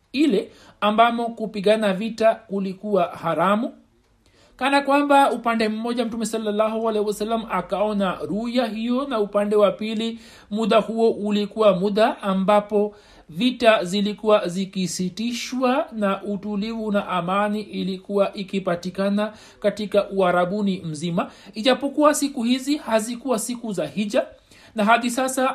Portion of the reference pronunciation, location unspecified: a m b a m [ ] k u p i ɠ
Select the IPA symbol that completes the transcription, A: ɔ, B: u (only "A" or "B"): A